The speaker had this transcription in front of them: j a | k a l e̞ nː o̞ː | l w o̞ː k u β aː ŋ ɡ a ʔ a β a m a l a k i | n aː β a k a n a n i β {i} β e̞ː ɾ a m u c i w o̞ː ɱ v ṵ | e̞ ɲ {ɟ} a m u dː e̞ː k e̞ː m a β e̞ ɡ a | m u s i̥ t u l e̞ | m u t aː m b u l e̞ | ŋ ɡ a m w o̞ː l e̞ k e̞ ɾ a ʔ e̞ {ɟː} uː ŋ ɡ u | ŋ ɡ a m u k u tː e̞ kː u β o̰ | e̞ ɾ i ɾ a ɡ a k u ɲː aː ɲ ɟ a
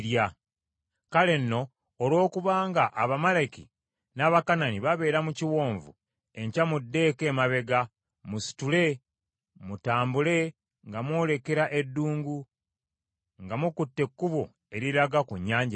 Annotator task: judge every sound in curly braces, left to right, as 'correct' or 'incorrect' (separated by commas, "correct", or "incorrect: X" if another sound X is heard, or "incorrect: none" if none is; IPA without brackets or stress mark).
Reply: incorrect: a, incorrect: c, incorrect: dː